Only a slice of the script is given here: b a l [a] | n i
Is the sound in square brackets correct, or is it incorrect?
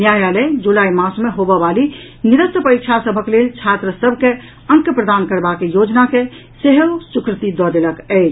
incorrect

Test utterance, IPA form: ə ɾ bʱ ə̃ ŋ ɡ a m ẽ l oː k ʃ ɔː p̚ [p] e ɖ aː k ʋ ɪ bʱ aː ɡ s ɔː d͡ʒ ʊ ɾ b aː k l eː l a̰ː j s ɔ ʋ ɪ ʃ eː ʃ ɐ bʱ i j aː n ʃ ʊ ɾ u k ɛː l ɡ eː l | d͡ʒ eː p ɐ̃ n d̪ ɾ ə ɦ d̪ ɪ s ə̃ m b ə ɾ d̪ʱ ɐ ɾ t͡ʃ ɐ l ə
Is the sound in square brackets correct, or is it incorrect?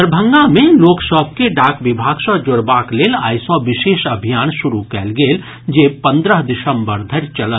incorrect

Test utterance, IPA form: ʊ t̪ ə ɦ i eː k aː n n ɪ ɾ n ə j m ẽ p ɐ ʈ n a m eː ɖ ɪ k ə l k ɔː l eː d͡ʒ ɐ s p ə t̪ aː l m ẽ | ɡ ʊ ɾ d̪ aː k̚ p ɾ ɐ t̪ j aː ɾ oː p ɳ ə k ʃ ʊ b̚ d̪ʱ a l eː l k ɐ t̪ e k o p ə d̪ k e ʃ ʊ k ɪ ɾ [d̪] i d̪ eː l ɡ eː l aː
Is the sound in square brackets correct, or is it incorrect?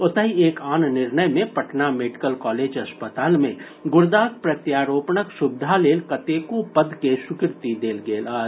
incorrect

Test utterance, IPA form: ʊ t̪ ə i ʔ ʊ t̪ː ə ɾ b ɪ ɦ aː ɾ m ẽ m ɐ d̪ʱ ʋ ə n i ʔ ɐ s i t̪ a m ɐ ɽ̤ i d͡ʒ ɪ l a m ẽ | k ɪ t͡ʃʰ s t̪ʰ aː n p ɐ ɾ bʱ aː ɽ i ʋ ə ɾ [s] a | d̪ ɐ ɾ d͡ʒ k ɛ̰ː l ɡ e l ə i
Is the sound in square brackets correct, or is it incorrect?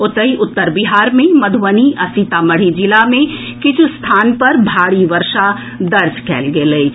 incorrect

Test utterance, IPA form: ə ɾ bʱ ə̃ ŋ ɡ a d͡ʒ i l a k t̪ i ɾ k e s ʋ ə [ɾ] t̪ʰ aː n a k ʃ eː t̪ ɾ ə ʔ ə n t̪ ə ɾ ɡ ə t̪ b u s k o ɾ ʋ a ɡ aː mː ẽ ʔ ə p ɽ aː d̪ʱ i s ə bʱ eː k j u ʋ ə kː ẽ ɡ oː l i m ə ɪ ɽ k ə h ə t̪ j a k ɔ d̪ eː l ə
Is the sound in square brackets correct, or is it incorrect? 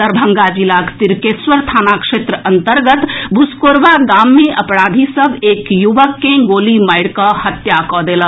correct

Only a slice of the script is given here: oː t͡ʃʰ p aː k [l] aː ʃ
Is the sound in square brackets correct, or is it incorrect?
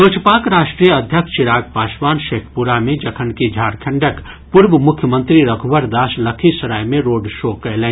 incorrect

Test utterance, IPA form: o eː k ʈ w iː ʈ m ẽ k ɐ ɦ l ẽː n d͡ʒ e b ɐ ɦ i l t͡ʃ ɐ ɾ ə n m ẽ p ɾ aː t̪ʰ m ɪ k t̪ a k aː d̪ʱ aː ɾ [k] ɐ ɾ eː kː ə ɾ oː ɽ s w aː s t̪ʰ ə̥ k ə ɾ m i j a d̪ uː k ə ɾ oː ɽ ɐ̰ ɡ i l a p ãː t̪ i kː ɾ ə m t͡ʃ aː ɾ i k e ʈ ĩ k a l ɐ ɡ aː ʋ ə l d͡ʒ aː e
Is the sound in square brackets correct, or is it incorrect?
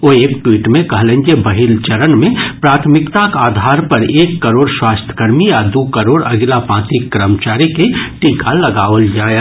incorrect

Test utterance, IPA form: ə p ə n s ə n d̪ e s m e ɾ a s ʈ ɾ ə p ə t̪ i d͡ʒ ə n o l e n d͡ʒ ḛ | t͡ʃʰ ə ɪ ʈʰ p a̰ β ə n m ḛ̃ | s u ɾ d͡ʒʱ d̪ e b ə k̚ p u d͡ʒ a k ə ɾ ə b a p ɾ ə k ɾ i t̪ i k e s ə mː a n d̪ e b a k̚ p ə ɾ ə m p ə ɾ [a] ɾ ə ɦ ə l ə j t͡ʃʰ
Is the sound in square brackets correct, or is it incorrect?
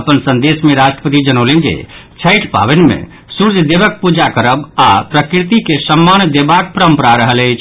correct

